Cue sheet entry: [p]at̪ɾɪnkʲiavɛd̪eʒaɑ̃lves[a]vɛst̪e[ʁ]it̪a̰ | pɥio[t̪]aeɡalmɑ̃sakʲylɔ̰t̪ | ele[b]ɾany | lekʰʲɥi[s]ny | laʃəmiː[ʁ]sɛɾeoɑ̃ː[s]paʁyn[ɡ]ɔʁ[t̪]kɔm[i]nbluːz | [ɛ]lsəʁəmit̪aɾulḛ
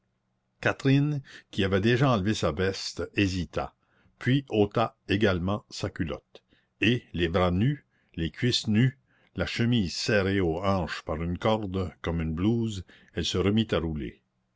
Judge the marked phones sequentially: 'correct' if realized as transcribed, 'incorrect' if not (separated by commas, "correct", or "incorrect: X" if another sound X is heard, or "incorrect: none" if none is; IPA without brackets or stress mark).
incorrect: k, correct, incorrect: z, correct, correct, correct, incorrect: z, incorrect: ʃ, incorrect: k, incorrect: d̪, incorrect: y, correct